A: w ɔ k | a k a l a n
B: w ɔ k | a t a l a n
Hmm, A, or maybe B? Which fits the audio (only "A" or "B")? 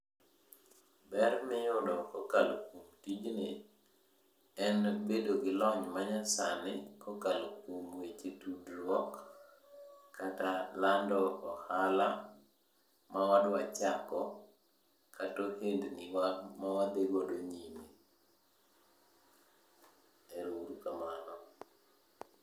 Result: B